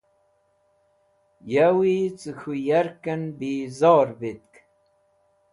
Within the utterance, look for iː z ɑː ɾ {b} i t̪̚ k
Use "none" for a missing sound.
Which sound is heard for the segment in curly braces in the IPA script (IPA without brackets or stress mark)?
b